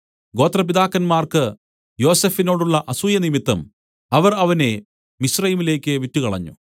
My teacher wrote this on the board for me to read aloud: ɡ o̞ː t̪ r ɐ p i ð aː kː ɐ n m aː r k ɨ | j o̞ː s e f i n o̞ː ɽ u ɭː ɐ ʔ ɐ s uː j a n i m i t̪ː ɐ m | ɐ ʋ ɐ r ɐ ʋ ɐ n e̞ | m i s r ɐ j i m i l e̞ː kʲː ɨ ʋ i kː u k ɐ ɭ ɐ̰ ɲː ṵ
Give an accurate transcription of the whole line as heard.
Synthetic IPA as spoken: ɡ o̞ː t̪ r ɐ p i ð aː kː ɐ n m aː r k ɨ | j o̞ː s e f i n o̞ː ɽ u ɭː ɐ ʔ ɐ s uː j ɐ n i m i t̪ː ɐ m | ɐ ʋ ɐ r ɐ ʋ ɐ n e̞ | m i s r ɐ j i m i l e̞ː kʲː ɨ ʋ i tː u k ɐ ɭ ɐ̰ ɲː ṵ